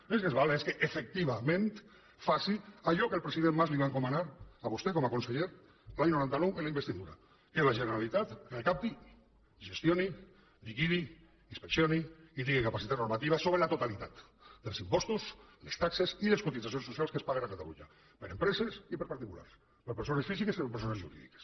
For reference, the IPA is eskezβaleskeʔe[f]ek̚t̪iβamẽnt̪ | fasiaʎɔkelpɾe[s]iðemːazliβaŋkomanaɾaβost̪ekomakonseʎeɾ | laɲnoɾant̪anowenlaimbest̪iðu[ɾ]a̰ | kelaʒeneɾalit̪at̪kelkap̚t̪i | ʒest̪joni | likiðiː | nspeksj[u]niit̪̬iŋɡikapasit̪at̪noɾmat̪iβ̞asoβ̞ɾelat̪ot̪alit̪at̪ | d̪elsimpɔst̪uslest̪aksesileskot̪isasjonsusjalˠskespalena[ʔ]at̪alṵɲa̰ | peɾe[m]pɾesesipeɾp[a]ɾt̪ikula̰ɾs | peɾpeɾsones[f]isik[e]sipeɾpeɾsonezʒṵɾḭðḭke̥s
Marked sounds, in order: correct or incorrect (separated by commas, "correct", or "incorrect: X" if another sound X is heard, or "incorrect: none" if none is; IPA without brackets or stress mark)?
correct, correct, correct, incorrect: o, incorrect: k, correct, correct, correct, correct